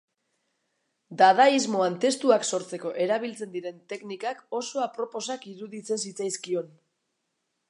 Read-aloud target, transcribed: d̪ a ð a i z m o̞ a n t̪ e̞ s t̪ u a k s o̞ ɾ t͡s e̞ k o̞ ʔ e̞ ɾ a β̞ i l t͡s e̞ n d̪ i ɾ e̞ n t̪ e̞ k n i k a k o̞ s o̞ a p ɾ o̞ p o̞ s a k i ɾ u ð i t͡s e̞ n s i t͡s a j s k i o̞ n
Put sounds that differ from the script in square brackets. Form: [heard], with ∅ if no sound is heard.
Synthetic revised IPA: d̪ a ð a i z m o̞ a n t̪ e̞ s t̪ u a k s o̞ ɾ t͡s e̞ k o̞ ʔ e̞ ɾ a β̞ i l t͡s e̞ n d̪ i ɾ e̞ n t̪ e̞ k n i k a k o̞ s o̞ a p ɾ o̞ p o̞ s a k i ɾ u ð i t͡s e̞ n s i t͡s a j s k i o̞ n